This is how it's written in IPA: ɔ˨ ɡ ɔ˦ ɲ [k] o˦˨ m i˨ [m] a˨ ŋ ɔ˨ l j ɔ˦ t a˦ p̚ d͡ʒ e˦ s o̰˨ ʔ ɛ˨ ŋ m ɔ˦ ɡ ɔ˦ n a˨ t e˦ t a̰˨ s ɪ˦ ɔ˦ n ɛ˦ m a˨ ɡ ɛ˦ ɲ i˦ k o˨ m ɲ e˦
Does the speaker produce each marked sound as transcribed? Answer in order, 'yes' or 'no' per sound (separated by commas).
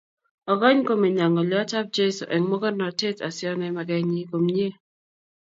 yes, no